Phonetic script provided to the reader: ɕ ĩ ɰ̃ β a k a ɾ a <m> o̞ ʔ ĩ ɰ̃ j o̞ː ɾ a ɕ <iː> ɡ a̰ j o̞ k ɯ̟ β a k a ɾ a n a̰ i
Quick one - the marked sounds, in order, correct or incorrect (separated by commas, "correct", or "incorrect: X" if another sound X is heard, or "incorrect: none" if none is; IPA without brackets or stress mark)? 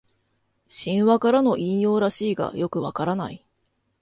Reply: incorrect: n, correct